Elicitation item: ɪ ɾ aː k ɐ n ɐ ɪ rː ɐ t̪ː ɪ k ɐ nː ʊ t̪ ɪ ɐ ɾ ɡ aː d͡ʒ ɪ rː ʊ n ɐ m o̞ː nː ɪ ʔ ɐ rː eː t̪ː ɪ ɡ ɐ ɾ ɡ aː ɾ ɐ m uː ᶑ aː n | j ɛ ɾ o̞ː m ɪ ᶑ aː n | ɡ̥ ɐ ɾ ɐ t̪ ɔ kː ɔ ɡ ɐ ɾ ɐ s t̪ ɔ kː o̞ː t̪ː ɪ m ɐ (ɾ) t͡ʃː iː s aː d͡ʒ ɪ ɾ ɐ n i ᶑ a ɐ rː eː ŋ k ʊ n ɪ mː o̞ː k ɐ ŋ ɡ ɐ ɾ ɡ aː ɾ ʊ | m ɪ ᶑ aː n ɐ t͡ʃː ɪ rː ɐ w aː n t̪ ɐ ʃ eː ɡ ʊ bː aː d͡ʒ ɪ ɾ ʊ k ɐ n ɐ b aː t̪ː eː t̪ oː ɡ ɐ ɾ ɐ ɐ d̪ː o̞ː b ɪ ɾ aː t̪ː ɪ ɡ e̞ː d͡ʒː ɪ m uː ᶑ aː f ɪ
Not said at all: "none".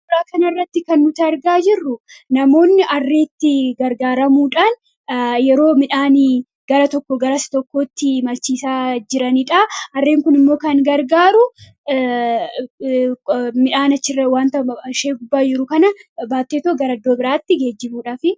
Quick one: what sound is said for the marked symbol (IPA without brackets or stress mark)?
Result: l